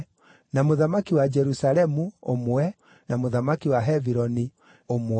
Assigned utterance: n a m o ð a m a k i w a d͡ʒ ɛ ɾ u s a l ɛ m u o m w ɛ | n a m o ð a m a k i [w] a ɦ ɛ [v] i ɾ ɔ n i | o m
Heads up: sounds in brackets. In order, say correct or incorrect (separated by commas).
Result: correct, correct